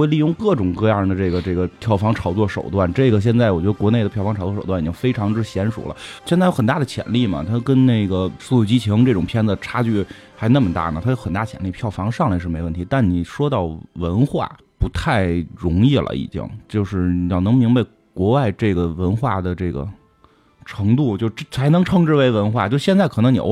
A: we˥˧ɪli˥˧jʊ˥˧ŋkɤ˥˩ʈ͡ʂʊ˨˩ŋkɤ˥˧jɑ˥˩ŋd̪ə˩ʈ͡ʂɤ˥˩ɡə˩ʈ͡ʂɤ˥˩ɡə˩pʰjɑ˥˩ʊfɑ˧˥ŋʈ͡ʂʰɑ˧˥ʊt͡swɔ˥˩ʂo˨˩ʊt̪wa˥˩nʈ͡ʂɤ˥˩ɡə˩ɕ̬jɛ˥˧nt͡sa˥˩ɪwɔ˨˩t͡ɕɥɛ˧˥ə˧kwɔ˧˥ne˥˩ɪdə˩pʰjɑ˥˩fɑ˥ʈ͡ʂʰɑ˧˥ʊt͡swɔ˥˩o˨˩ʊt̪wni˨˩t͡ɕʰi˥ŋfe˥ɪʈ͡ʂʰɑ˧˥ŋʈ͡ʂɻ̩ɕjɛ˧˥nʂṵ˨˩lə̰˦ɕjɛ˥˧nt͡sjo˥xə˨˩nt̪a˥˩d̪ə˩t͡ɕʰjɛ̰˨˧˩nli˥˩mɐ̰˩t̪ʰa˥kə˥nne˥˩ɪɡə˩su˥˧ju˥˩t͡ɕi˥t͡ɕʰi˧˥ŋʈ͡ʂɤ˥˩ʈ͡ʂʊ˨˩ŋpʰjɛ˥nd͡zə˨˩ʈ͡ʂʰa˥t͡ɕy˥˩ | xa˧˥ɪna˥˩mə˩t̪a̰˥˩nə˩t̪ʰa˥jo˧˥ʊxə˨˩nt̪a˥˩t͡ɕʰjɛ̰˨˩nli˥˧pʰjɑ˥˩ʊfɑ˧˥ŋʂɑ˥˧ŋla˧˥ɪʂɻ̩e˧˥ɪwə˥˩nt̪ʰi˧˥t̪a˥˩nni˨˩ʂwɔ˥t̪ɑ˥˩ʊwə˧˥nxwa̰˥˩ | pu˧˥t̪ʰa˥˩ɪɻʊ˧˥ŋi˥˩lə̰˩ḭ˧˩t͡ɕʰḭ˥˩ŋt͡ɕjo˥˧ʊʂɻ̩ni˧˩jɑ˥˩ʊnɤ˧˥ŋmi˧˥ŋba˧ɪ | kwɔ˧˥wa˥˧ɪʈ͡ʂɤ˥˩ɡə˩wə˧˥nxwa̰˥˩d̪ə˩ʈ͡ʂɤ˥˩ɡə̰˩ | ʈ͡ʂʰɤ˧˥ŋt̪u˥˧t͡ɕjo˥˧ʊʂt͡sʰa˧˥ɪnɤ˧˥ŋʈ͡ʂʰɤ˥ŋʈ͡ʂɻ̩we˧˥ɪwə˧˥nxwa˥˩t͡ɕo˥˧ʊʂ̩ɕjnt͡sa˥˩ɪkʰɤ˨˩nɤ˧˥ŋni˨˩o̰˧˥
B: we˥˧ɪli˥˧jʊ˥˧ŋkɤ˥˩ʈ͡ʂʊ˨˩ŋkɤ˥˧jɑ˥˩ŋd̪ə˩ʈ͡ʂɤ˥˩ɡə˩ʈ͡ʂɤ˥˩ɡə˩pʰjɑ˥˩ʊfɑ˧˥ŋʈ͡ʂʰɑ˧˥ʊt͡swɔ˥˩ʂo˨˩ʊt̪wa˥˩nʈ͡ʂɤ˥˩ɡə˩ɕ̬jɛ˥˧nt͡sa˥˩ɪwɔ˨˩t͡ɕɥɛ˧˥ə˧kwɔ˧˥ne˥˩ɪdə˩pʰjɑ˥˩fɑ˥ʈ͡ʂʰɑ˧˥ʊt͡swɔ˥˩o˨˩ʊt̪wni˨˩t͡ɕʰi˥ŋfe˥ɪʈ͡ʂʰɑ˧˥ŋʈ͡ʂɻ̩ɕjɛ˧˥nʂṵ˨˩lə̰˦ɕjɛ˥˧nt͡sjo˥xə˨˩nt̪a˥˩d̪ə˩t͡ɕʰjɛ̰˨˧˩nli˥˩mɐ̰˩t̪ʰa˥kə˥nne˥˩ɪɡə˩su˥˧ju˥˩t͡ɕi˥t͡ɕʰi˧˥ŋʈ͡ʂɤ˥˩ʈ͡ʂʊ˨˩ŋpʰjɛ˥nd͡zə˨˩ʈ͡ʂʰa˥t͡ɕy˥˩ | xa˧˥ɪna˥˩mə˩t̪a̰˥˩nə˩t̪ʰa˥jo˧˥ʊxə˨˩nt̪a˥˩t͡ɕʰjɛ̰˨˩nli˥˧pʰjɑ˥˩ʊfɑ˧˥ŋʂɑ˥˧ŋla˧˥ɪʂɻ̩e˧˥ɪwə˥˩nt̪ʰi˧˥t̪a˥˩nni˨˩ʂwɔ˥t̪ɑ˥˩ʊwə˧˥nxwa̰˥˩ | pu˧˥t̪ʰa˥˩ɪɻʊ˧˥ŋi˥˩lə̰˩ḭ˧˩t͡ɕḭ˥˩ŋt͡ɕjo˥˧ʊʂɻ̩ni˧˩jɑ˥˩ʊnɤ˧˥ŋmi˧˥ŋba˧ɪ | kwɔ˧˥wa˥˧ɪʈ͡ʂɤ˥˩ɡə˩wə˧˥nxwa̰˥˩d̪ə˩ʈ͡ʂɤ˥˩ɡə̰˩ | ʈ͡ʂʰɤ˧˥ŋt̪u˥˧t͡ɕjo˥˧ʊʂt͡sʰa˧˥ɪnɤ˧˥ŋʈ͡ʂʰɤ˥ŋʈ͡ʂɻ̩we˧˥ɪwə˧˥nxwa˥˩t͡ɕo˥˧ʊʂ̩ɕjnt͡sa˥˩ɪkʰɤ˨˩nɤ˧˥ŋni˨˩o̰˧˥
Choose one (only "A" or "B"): B